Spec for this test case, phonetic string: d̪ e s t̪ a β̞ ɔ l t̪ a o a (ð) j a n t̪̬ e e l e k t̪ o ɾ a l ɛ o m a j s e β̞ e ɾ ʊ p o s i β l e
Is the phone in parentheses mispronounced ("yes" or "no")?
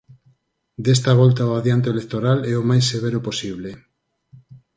no